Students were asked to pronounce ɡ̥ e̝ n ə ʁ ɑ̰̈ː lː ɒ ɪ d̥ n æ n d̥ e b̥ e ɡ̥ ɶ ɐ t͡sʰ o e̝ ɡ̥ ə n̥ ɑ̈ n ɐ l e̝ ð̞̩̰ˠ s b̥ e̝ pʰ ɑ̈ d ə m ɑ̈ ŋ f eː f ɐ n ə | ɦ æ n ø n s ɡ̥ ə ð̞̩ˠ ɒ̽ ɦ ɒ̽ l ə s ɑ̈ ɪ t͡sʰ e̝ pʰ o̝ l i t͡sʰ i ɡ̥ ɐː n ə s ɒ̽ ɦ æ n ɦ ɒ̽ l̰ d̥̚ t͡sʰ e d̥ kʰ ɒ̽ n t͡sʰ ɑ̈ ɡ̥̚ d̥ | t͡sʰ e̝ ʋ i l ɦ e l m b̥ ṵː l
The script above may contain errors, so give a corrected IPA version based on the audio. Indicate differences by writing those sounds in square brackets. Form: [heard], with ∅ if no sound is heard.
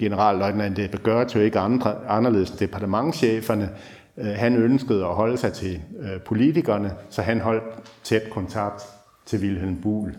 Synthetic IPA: ɡ̥ e̝ n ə ʁ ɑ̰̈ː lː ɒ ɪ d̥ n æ n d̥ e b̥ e ɡ̥ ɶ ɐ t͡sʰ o e̝ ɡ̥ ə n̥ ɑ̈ n ɐ l e̝ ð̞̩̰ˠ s [d̥] e̝ pʰ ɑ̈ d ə m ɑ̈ ŋ [ɕ] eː f ɐ n ə | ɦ æ n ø n s ɡ̥ ə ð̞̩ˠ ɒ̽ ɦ ɒ̽ l ə s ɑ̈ ɪ t͡sʰ e̝ pʰ o̝ l i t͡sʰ i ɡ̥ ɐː n ə s ɒ̽ ɦ æ n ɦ ɒ̽ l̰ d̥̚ t͡sʰ e d̥ kʰ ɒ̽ n t͡sʰ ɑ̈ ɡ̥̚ d̥ | t͡sʰ e̝ ʋ i l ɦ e l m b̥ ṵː l